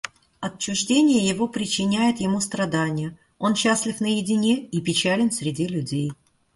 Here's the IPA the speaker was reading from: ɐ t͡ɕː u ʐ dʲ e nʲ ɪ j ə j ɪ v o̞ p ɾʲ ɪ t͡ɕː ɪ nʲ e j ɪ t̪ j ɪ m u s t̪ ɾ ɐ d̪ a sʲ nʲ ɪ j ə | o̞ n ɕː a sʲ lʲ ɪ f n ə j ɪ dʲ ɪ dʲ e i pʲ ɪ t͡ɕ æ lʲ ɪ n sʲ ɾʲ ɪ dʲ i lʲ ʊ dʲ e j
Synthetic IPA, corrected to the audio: ɐ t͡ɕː ʊ ʐ dʲ e nʲ ɪ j ə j ɪ v o̞ p ɾʲ ɪ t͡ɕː ɪ nʲ æ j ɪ t̪ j ɪ m u s t̪ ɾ ɐ d̪ a nʲ ɪ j ə | o̞ n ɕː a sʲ lʲ ɪ f n ə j ɪ dʲ ɪ nʲ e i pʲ ɪ t͡ɕ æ lʲ ɪ n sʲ ɾʲ ɪ dʲ i lʲ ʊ dʲ e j